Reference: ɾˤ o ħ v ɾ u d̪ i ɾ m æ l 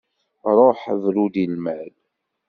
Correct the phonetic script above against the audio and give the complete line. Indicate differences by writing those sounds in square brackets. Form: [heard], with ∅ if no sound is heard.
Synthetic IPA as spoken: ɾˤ o ħ v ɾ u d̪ i [l] m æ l